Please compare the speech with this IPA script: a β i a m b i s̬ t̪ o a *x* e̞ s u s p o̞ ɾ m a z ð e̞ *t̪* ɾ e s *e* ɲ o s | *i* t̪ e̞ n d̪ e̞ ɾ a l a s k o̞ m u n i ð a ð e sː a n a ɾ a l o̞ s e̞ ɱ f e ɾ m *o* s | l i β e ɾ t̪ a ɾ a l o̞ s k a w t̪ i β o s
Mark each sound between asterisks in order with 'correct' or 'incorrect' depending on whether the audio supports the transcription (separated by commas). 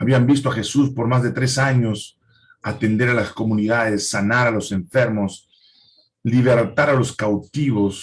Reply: correct, correct, incorrect, incorrect, correct